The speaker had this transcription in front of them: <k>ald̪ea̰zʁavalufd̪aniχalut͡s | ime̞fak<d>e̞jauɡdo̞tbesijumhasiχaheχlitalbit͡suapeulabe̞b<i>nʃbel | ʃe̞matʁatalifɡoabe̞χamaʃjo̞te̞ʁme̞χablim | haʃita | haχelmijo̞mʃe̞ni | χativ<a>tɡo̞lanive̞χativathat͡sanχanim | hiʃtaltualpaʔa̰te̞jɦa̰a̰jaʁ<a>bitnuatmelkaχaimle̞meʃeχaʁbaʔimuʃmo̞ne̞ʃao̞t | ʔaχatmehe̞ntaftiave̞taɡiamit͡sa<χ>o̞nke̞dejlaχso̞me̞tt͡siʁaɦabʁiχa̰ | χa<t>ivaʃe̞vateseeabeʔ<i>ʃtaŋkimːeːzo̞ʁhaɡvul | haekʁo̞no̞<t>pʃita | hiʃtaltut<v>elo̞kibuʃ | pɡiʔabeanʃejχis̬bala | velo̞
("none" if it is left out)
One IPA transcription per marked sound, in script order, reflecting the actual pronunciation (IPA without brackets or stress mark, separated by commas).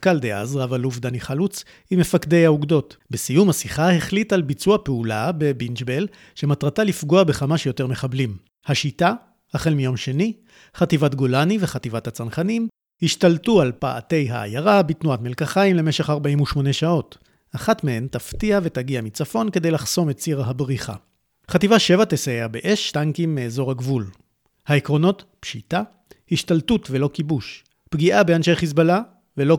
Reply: k, d, i, a, a, f, t, e, t, v